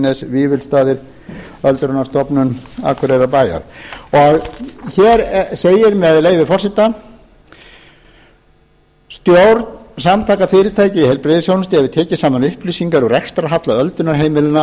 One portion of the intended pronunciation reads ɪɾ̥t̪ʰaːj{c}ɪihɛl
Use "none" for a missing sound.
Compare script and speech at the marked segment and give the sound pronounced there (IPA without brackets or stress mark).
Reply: c